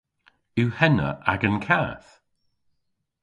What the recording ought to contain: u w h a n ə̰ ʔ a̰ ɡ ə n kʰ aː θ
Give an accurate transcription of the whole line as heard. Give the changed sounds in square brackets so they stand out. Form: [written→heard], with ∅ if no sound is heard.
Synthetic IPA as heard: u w h [a→ɛ] n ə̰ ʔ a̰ ɡ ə n kʰ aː θ